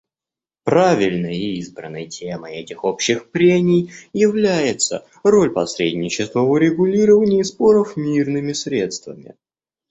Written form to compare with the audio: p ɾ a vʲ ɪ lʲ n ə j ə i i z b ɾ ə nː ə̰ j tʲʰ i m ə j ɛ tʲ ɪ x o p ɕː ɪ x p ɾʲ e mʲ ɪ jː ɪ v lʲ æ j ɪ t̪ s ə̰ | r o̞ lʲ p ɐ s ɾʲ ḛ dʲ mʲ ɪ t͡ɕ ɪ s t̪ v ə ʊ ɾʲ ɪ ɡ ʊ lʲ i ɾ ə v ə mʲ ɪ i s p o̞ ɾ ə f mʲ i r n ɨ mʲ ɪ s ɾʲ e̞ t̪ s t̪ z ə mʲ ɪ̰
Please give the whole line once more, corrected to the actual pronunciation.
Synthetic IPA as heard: p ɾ a vʲ ɪ lʲ n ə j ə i i z b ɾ ə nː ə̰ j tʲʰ e m ə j ɛ tʲ ɪ x o p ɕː ɪ x p ɾʲ e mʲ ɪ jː ɪ v lʲ æ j ɪ t̪ s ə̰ | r o̞ lʲ p ɐ s ɾʲ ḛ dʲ nʲ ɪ t͡ɕ ɪ s t̪ v ə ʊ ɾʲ ɪ ɡ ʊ lʲ i ɾ ə v ə nʲ ɪ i s p o̞ ɾ ə f mʲ i r n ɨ mʲ ɪ s ɾʲ e̞ t̪ s t̪ v ə mʲ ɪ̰